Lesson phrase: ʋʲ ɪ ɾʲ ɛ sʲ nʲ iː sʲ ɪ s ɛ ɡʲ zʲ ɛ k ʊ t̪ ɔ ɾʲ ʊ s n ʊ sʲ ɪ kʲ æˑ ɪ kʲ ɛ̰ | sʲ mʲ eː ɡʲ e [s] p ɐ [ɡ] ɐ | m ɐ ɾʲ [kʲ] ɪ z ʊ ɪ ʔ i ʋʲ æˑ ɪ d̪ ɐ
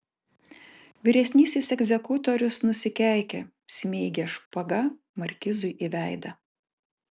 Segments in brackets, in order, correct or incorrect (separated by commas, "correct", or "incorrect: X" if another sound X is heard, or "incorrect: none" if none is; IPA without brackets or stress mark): incorrect: ʃ, correct, correct